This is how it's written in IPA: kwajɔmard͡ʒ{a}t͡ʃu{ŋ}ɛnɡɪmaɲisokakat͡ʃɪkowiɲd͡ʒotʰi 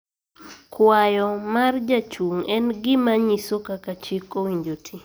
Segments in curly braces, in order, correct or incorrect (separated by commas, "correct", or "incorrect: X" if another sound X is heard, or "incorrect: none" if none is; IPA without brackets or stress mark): correct, correct